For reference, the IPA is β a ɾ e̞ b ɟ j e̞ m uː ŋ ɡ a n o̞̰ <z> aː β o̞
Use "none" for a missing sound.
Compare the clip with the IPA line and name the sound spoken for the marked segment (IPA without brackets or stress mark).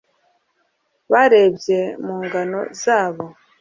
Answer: z